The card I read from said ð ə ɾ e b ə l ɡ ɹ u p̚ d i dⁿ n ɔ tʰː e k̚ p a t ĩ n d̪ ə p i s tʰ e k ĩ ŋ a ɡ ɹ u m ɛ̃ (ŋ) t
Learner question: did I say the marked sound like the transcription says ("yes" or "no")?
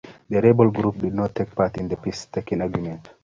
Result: no